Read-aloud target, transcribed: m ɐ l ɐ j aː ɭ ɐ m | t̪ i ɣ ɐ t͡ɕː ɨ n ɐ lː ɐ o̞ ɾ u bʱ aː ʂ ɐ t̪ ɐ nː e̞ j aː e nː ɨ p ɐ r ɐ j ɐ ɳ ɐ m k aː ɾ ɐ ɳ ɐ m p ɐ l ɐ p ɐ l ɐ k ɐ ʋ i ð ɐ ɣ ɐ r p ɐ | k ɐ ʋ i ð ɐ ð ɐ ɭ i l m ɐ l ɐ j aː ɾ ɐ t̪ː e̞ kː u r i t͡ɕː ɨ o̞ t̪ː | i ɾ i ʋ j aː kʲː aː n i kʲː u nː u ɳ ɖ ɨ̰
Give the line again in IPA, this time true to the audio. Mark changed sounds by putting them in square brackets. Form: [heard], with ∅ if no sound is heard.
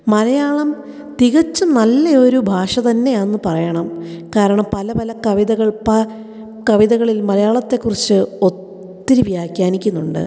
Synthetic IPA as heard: m ɐ l ɐ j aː ɭ ɐ m | t̪ i ɣ ɐ t͡ɕː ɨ n ɐ lː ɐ o̞ ɾ u bʱ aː ʂ ɐ t̪ ɐ nː e̞ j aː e nː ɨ p ɐ r ɐ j ɐ ɳ ɐ m k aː ɾ ɐ ɳ ɐ m p ɐ l ɐ p ɐ l ɐ k ɐ ʋ i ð ɐ ɣ ɐ [ɭ] p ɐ | k ɐ ʋ i ð ɐ [ɣ] ɐ ɭ i l m ɐ l ɐ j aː [ɭ] ɐ t̪ː e̞ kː u r i t͡ɕː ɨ o̞ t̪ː | i ɾ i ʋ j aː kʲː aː n i kʲː u nː u ɳ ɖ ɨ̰

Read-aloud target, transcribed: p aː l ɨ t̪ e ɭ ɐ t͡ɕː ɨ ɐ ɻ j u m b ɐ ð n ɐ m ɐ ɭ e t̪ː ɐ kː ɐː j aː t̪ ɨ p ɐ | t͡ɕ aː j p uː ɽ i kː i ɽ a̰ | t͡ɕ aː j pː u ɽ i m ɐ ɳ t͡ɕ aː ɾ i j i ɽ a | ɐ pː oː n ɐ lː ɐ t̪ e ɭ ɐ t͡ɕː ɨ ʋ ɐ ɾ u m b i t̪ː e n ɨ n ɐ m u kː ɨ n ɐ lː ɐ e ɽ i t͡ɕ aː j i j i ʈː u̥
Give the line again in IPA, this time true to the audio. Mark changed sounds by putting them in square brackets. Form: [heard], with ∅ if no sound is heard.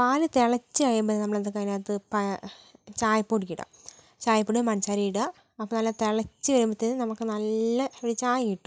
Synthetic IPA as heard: p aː l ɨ t̪ e ɭ ɐ t͡ɕː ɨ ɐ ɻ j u m b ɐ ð n ɐ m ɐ ɭ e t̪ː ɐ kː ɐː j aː t̪ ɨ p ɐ | t͡ɕ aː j p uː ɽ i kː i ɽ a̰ | t͡ɕ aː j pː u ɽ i m ɐ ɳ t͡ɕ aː ɾ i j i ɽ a | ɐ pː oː n ɐ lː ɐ t̪ e ɭ ɐ t͡ɕː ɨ ʋ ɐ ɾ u m b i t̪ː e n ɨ n ɐ m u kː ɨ n ɐ lː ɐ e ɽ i t͡ɕ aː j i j i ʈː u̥

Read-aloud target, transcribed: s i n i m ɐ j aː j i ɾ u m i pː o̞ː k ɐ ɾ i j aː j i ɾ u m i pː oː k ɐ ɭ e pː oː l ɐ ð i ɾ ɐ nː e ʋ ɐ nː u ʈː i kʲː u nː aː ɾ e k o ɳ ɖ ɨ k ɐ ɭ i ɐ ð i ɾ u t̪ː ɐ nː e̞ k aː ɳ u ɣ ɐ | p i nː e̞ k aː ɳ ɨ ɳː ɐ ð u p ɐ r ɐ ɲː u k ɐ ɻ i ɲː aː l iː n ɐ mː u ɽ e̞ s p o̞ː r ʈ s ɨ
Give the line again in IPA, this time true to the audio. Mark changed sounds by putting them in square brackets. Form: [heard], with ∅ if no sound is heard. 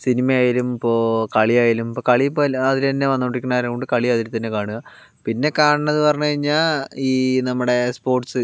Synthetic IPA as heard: s i n i m ɐ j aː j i ɾ u m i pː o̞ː k ɐ [ɭ] i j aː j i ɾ u m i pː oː k ɐ ɭ [i] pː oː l ɐ ð i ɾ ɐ nː e ʋ ɐ nː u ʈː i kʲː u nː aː ɾ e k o ɳ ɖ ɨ k ɐ ɭ i ɐ ð i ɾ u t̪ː ɐ nː e̞ k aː ɳ u ɣ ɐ | p i nː e̞ k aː ɳ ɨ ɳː ɐ ð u p ɐ r ɐ ɲː u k ɐ ɻ i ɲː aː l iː n ɐ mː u ɽ e̞ s p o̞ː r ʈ s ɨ

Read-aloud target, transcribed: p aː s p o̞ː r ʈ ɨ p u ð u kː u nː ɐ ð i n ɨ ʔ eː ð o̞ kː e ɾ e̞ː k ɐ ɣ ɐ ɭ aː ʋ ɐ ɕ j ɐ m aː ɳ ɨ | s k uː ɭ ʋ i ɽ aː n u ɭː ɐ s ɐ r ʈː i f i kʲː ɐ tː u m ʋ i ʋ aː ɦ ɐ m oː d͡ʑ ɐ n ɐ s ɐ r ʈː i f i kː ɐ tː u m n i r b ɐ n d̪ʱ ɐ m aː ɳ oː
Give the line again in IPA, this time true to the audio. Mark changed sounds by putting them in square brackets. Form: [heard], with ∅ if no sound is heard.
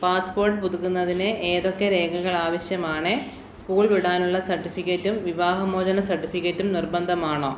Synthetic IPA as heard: p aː s p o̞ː r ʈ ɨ p u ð u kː u nː ɐ ð i n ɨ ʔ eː ð o̞ kː e ɾ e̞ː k ɐ ɣ ɐ ɭ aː ʋ ɐ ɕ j ɐ m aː ɳ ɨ | s k uː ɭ ʋ i ɽ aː n u ɭː ɐ s ɐ r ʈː i f i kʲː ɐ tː u m ʋ i ʋ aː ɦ ɐ m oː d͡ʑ ɐ n ɐ s ɐ r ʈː i f i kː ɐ tː u m n i r b ɐ n d̪ʱ ɐ m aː ɳ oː

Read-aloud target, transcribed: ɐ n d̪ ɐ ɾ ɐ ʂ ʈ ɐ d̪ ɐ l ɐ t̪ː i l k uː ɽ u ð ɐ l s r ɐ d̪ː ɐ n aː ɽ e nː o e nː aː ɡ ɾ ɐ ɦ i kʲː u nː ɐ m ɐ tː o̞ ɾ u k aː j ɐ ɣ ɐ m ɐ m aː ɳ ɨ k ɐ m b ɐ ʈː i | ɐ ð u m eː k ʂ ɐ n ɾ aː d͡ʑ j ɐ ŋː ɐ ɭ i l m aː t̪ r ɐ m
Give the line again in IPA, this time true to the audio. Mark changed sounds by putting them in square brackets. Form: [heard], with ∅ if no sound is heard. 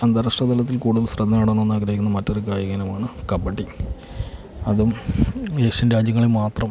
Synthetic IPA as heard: ɐ n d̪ ɐ ɾ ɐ ʂ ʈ ɐ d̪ ɐ l ɐ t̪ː i l k uː ɽ u ð ɐ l s r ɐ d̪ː ɐ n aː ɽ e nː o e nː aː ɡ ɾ ɐ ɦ i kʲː u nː ɐ m ɐ tː o̞ ɾ u k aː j ɐ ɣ ɐ [n] ɐ m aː ɳ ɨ k ɐ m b ɐ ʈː i | ɐ ð u m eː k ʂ ɐ n ɾ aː d͡ʑ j ɐ ŋː ɐ ɭ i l m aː t̪ r ɐ m

